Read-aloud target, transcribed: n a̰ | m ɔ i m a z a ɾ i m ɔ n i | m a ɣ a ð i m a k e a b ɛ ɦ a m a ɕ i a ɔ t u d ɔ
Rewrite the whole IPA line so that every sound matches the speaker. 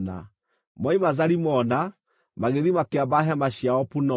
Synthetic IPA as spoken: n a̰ | m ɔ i m a z a ɾ i m ɔ n a | m a ɣ e ð i m a k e a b a ɦ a m a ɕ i a ɔ p u n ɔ